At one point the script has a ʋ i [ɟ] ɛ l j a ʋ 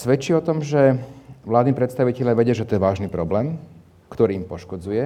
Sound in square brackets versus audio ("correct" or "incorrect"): incorrect